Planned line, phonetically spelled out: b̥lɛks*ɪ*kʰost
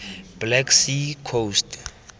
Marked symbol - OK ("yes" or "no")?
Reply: no